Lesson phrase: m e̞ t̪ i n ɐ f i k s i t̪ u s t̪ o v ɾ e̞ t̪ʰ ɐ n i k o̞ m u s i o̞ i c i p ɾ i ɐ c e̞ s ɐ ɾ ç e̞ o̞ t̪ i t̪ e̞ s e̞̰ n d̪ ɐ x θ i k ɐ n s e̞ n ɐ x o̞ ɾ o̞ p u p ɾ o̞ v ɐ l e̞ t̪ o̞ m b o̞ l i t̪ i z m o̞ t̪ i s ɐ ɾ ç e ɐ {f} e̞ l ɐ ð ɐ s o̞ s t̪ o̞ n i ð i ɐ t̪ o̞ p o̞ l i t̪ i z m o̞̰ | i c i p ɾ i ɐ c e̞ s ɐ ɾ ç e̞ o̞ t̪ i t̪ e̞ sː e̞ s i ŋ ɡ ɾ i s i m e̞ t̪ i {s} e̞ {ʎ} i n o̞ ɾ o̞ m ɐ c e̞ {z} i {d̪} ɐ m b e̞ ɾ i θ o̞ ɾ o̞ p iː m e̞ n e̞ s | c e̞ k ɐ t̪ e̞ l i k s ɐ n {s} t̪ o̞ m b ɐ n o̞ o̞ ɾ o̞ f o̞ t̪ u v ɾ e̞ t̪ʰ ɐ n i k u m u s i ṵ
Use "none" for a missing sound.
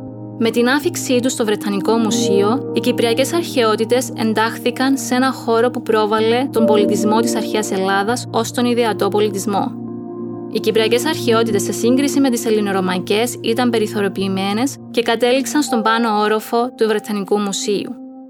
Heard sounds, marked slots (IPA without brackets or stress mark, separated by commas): s, s, l, s, t̪, s